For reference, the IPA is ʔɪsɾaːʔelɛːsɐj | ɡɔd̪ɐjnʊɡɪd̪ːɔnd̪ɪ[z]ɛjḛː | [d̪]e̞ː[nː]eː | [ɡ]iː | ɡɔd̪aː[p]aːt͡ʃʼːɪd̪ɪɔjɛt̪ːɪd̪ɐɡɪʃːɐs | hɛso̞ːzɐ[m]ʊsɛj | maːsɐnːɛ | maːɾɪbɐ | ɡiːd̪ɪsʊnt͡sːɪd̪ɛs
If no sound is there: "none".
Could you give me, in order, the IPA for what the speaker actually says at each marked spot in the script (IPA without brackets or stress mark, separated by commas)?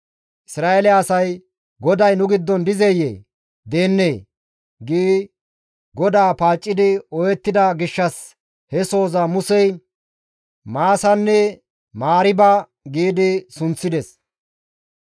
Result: z, d̪, nː, ɡ, p, m